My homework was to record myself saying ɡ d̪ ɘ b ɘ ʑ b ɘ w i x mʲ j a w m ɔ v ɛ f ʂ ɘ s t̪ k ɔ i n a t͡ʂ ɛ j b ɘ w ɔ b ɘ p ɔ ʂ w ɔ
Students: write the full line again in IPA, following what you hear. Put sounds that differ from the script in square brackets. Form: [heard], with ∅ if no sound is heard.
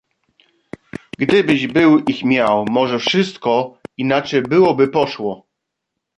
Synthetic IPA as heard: ɡ d̪ ɘ b ɘ ʑ b ɘ w i x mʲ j a w m ɔ [ʐ] ɛ f ʂ ɘ s t̪ k ɔ i n a t͡ʂ ɛ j b ɘ w ɔ b ɘ p ɔ ʂ w ɔ